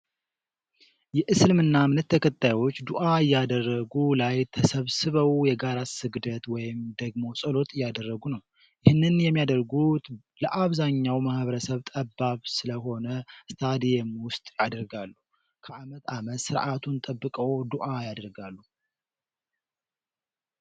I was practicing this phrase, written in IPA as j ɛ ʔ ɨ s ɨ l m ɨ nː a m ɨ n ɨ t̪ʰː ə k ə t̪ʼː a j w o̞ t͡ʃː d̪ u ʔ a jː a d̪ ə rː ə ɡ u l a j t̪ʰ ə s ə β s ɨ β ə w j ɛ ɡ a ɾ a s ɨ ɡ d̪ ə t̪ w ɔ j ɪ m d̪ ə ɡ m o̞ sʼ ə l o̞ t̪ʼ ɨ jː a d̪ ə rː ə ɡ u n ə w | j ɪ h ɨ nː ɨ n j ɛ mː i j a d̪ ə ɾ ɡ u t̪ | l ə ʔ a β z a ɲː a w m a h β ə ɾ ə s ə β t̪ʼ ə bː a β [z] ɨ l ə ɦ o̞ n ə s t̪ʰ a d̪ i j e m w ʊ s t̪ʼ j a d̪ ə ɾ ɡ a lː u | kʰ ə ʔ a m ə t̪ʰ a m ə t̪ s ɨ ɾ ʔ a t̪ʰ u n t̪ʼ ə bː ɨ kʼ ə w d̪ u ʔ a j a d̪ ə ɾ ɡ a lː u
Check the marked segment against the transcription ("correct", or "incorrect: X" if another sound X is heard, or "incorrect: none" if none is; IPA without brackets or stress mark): incorrect: s